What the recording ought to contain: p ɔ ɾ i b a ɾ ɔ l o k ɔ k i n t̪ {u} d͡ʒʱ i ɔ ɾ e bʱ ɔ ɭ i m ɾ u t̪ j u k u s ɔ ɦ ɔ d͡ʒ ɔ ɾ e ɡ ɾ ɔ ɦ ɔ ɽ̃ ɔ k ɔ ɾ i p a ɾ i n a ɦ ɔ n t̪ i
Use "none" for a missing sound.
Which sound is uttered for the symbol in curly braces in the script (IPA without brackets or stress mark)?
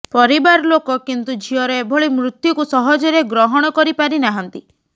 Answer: u